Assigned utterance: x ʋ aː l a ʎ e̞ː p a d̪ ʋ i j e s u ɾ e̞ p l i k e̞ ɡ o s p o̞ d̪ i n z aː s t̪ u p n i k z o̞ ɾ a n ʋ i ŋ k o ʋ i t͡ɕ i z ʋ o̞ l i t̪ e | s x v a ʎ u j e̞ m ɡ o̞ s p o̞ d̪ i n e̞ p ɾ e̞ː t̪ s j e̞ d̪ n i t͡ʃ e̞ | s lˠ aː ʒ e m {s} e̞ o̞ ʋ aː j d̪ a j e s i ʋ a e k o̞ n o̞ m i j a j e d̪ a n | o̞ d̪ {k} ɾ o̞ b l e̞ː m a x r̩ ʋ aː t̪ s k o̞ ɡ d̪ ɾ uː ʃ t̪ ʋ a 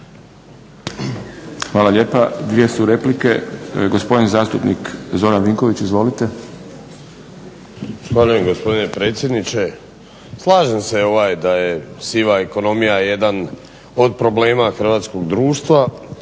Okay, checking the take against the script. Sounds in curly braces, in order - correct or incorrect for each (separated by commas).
correct, incorrect